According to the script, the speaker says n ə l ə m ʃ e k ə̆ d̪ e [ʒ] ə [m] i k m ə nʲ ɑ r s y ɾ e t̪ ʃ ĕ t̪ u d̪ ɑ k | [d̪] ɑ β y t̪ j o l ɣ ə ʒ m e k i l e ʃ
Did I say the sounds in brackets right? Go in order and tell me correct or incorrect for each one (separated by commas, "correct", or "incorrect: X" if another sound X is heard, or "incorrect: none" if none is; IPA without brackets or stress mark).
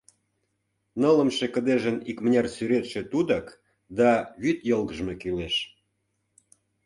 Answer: correct, incorrect: n, correct